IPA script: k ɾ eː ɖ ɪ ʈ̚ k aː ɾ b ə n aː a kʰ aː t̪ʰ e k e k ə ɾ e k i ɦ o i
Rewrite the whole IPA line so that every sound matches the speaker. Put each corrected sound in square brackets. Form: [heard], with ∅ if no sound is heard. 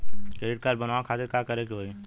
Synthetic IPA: k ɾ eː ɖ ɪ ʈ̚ k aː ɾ b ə n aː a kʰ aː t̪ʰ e k [a] k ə ɾ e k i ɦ o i